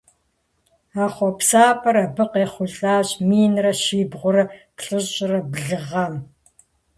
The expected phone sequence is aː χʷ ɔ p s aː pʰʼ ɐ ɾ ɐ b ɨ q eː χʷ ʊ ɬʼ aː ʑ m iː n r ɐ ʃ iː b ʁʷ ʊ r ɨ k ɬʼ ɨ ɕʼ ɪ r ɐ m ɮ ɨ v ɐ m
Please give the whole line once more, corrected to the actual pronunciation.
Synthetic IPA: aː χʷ ɔ p s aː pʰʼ ɐ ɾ ɐ b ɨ q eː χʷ ʊ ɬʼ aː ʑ m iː n r ɐ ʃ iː b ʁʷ ʊ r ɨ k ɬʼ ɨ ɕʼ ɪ r ɐ b ɮ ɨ ʁ ɐ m